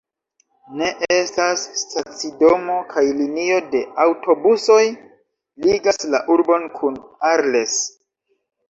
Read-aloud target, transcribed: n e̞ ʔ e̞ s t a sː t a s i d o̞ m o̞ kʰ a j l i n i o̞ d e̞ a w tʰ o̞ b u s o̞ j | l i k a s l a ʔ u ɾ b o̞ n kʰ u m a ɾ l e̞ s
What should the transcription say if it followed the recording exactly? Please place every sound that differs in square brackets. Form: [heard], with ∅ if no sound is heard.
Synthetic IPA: n e̞ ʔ e̞ s t a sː t a [t͡s] i d o̞ m o̞ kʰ a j l i n i o̞ d e̞ a w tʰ o̞ b u s o̞ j | l i [ɡ] a s l a ʔ u ɾ b o̞ n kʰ u [n] a ɾ l e̞ s